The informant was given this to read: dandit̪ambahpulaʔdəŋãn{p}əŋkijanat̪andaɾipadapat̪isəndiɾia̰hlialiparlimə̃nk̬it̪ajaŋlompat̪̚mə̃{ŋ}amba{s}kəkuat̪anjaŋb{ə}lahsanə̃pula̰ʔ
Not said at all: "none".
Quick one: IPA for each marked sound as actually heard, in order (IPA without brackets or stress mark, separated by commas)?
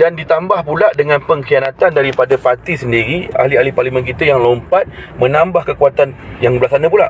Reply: p, n, h, ə